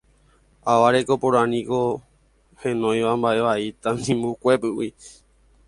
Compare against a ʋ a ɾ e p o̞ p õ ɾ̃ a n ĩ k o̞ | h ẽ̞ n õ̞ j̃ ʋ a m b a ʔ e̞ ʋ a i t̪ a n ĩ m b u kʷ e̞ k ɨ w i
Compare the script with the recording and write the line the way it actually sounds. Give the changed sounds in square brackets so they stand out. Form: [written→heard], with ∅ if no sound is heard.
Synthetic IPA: a ʋ a ɾ e [p→k] o̞ p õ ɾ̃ a n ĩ k o̞ | h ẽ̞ n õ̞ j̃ ʋ a m b a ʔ e̞ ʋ a i t̪ a n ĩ m b u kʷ e̞ [k→p] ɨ w i